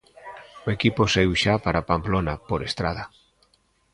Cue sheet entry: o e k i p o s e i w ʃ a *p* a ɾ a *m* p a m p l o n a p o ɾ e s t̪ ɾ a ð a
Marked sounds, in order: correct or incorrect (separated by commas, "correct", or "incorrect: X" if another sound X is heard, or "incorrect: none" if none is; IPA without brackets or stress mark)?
correct, incorrect: none